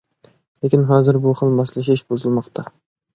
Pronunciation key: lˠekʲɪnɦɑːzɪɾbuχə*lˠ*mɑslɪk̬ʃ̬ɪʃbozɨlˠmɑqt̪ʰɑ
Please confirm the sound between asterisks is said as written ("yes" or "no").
yes